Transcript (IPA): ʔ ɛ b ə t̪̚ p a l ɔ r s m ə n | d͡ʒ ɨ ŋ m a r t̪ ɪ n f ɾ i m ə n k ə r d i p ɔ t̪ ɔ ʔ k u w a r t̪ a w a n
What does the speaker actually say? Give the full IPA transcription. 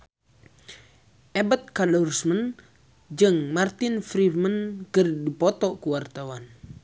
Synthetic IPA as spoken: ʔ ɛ b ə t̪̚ k a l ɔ r s m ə n | d͡ʒ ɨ ŋ m a r t̪ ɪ n f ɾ i m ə n k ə r d i p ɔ t̪ ɔ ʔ k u w a r t̪ a w a n

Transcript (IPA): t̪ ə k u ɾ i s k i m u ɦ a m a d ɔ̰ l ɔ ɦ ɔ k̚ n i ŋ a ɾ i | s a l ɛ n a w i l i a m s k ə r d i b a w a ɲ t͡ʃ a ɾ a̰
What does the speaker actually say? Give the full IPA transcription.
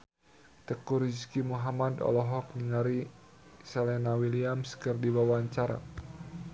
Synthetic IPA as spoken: t̪ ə k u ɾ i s k i m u ɦ a m a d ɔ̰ l ɔ ɦ ɔ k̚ n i ŋ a ɾ i | s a l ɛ n a w i l i a m s k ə r d i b a w a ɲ t͡ʃ a ɾ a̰

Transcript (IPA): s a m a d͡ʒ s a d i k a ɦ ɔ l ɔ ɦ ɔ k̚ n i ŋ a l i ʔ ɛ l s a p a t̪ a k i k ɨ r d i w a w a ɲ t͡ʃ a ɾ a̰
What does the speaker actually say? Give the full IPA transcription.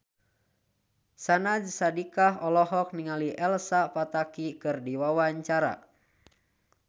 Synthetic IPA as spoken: s a n a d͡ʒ s a d i k a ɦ ɔ l ɔ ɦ ɔ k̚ n i ŋ a l i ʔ ɛ l s a p a t̪ a k i k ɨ r d i w a w a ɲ t͡ʃ a ɾ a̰

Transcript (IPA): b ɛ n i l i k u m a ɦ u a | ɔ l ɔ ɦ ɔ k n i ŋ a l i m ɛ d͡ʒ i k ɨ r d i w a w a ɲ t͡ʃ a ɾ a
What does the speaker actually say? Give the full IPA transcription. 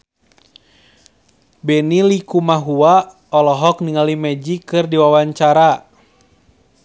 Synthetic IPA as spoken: b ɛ n i l i k u m a ɦ u a | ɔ l ɔ ɦ ɔ k n i ŋ a l i m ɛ d͡ʒ i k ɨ r d i w a w a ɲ t͡ʃ a ɾ a

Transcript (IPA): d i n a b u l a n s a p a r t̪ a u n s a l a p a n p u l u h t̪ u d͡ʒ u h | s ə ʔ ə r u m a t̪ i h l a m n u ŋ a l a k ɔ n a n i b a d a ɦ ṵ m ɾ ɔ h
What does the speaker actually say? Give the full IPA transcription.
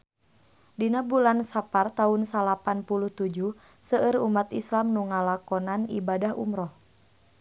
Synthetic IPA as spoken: d i n a b u l a n s a p a r t̪ a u n s a l a p a n p u l u h t̪ u d͡ʒ u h | s ə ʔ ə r u m a t̪ i s l a m n u ŋ a l a k ɔ n a n i b a d a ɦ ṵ m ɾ ɔ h

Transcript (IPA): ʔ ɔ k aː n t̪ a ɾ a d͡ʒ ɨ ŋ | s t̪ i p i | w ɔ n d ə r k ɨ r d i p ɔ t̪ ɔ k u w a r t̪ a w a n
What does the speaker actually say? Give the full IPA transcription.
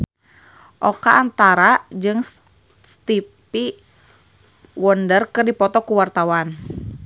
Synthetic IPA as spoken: ʔ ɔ k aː n t̪ a ɾ a d͡ʒ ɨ ŋ | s t̪ i p i | w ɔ n d ə r k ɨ r d i p ɔ t̪ ɔ k u w a r t̪ a w a n

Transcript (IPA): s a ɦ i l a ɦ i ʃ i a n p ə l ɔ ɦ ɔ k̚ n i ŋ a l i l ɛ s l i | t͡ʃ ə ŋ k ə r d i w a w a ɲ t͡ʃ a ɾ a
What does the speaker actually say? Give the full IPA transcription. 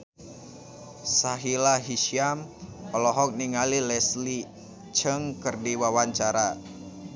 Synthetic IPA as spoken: s a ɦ i l a ɦ i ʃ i a m p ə l ɔ ɦ ɔ k̚ n i ŋ a l i l ɛ s l i | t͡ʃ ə ŋ k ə r d i w a w a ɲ t͡ʃ a ɾ a

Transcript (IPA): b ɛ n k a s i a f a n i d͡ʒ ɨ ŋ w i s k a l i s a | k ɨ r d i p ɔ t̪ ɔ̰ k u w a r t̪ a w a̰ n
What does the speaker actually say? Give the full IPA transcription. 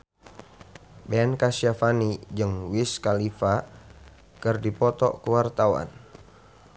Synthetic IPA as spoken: b ɛ n k a s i a f a n i d͡ʒ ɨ ŋ w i s k a l i f a | k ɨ r d i p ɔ t̪ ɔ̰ k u w a r t̪ a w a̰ n

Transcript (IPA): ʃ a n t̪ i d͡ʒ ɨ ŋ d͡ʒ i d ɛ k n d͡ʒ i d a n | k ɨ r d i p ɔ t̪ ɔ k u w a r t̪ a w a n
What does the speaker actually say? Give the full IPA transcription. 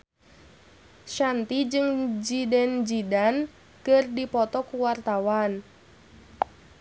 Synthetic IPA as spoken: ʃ a n t̪ i d͡ʒ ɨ ŋ d͡ʒ i d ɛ n d͡ʒ i d a n | k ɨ r d i p ɔ t̪ ɔ k u w a r t̪ a w a n

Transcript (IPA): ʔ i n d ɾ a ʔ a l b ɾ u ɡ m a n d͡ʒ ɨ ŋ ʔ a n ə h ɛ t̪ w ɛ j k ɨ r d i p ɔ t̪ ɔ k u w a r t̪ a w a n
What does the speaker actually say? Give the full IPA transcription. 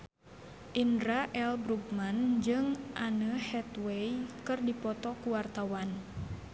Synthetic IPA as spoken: ʔ i n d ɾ a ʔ ɛ l b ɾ u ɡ m a n d͡ʒ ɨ ŋ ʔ a n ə h ɛ t̪ w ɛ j k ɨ r d i p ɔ t̪ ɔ k u w a r t̪ a w a n

